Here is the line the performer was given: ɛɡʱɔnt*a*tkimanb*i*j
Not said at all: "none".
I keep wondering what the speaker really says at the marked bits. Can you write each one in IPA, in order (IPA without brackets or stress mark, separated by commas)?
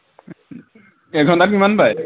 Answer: a, a